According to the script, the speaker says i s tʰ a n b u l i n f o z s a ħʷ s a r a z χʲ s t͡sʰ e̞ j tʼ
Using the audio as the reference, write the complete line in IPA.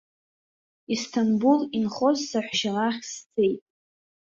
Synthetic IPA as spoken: i s tʰ a n b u l i n χ o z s a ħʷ ʃ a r a χʲ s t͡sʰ e̞ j tʼ